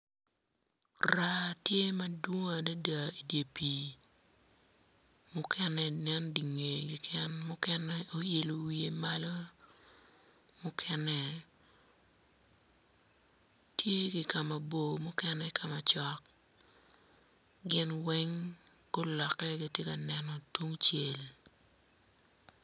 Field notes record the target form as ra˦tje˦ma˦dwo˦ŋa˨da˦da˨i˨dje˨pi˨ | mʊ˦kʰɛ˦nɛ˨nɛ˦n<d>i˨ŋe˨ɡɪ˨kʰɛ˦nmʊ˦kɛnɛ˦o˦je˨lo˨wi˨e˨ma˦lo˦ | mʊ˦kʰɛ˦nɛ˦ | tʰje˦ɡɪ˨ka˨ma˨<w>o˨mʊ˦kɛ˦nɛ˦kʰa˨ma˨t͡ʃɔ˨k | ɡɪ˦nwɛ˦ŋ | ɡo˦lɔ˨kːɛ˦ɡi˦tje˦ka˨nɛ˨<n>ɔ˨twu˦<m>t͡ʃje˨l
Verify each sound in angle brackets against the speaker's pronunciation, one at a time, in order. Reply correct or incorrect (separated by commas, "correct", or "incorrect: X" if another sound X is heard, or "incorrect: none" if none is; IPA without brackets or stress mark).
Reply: correct, incorrect: b, correct, incorrect: ŋ